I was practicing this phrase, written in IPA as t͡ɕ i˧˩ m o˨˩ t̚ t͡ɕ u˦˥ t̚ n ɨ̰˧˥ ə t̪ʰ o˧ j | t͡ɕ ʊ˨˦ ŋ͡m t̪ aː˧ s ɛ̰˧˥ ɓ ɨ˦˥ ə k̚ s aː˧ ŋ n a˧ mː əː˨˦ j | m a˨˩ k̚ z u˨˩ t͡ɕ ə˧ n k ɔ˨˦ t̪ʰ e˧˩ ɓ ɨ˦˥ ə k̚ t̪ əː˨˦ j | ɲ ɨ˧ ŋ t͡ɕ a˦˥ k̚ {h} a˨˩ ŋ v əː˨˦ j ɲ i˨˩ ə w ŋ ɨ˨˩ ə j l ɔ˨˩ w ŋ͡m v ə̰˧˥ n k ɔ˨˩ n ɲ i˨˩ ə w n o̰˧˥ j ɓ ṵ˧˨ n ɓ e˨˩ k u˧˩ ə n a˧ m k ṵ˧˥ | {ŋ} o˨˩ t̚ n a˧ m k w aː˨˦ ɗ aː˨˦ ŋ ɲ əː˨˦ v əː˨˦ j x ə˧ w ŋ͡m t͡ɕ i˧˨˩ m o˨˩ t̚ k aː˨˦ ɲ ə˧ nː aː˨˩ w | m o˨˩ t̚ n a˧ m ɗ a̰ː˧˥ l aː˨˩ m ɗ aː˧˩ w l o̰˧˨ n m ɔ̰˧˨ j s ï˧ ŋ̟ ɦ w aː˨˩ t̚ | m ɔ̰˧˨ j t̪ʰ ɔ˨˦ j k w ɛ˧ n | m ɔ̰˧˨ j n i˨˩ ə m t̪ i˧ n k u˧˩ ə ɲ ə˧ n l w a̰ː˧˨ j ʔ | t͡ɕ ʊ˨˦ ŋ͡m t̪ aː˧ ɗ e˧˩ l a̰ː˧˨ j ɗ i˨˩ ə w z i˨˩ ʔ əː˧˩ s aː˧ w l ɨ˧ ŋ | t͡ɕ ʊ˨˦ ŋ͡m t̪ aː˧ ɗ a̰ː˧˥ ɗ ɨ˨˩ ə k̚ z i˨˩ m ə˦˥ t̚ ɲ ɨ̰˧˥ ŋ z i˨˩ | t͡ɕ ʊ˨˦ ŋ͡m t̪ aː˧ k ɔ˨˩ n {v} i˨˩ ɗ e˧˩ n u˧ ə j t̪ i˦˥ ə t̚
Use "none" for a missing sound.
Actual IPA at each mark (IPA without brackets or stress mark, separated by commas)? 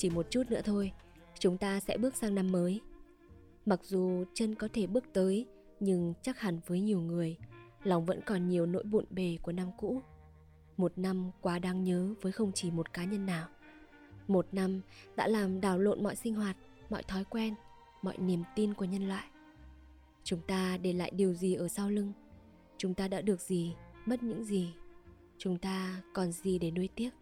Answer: h, m, z